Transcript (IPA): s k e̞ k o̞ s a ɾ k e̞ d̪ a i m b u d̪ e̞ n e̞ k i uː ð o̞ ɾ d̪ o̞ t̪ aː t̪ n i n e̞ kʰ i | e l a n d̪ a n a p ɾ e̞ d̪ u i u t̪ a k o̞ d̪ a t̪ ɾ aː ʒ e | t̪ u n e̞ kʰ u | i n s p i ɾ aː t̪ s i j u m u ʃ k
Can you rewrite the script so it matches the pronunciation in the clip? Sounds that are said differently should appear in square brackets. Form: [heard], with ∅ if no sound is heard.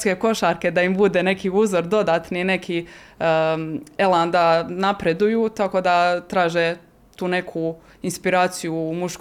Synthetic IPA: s k e̞ k o̞ [ʃ] a ɾ k e̞ d̪ a i m b u d̪ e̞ n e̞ k i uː [z] o̞ ɾ d̪ o̞ [d̪] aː t̪ n i n e̞ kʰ i | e l a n d̪ a n a p ɾ e̞ d̪ u [j] u t̪ a k o̞ d̪ a t̪ ɾ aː ʒ e | t̪ [uː] n e̞ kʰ u | i n s p i ɾ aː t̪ s i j u m u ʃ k